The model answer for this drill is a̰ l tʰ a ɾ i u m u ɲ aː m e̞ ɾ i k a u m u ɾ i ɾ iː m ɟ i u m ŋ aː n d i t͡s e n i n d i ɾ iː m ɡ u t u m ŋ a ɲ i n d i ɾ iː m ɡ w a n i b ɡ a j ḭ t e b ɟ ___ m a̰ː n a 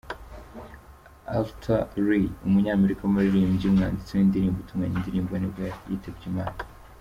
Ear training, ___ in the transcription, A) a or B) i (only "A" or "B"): B